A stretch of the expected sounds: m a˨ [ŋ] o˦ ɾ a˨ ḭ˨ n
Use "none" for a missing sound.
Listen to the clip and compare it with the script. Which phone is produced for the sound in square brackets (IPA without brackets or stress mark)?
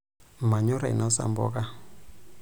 ɲ